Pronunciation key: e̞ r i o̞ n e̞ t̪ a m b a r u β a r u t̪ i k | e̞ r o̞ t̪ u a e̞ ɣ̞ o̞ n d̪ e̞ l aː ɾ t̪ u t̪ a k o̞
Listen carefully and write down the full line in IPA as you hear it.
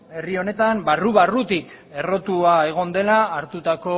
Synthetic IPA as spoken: e̞ r i o̞ n e̞ t̪ a m b a r u β a r u t̪ i k | e̞ r o̞ t̪ u a e̞ ɣ̞ o̞ n d̪ e̞ l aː ɾ t̪ u t̪ a k o̞